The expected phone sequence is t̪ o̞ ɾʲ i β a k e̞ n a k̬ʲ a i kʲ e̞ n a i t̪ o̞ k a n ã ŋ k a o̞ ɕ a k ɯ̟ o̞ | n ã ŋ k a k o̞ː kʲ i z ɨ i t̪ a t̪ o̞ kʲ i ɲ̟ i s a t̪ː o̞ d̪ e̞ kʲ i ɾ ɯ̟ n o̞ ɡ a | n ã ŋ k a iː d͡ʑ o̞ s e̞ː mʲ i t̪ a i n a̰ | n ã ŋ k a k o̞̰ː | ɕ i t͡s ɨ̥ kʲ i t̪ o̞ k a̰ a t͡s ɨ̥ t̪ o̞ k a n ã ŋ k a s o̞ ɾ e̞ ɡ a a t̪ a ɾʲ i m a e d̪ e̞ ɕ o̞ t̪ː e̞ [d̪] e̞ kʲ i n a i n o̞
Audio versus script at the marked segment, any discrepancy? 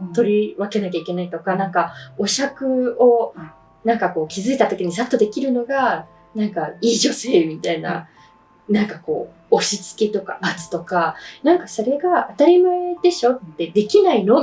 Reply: no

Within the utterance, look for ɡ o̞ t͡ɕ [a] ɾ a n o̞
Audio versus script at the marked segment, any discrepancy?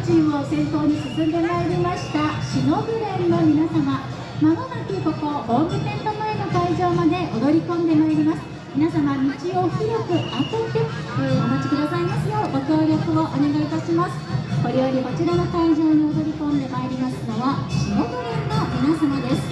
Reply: yes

